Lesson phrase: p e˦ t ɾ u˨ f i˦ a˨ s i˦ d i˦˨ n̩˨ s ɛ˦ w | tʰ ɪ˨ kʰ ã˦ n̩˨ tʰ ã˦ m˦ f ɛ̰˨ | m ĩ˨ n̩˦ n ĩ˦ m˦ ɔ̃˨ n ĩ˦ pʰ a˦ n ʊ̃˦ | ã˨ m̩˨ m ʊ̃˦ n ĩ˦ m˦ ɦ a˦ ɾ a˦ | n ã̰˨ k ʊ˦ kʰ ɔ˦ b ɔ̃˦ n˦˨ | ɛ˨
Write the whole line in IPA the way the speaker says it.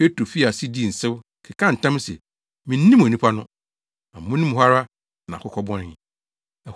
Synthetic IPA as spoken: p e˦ t ɾ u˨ f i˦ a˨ s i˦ d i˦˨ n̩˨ s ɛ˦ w | kʰ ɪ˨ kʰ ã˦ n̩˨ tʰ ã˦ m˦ s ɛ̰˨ | m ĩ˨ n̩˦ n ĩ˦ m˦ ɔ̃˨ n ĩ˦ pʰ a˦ n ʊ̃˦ | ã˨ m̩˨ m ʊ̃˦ n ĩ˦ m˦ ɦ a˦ ɾ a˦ | n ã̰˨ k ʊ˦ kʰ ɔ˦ b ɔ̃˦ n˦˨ | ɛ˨